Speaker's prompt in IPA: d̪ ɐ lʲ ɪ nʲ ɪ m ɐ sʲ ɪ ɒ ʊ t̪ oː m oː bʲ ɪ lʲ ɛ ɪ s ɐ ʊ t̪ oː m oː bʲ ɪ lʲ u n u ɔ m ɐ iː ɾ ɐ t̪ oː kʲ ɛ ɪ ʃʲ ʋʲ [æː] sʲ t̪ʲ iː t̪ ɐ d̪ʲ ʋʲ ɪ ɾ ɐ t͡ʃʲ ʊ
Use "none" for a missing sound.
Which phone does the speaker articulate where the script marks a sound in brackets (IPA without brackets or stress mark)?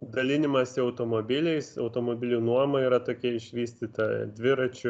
iː